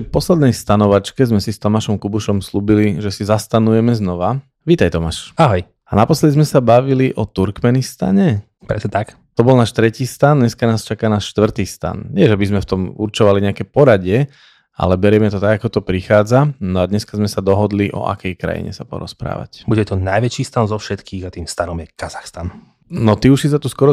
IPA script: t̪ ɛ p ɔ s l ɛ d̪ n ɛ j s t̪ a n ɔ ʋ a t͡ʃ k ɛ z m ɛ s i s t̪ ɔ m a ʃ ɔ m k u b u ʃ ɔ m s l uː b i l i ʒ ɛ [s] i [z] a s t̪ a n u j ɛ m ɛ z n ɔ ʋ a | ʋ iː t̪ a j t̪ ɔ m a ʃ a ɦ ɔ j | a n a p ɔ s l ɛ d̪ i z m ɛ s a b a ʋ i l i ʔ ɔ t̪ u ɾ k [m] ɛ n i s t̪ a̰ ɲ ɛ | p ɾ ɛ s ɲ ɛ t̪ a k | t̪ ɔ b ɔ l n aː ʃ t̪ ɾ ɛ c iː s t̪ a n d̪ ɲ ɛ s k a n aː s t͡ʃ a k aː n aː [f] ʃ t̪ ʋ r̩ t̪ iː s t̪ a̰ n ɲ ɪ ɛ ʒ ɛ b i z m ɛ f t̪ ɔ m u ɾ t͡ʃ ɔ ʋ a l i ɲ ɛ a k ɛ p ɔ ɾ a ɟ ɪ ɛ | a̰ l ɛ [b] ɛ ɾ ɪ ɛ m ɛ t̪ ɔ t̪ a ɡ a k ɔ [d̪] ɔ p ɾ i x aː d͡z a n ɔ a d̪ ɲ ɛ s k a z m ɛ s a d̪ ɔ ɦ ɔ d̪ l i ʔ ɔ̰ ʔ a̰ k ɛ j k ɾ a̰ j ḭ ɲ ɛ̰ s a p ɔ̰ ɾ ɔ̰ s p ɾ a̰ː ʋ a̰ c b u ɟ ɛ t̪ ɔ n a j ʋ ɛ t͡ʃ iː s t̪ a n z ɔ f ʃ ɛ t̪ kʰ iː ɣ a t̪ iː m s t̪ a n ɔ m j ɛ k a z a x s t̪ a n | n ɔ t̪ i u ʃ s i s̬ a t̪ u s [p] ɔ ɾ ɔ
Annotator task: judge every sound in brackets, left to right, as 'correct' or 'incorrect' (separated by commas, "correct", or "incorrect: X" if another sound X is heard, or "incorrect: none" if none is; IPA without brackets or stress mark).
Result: correct, correct, correct, incorrect: ʃ, correct, incorrect: t̪, incorrect: k